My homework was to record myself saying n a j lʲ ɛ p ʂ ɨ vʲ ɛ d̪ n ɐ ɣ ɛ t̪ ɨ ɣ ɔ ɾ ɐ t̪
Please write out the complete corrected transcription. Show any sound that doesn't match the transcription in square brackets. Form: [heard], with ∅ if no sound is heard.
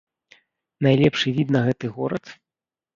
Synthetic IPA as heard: n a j lʲ ɛ p ʂ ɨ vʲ [i] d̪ n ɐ ɣ ɛ t̪ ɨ ɣ ɔ ɾ ɐ t̪